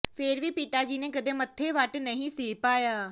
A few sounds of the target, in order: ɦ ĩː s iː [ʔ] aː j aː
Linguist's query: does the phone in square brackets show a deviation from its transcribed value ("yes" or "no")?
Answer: yes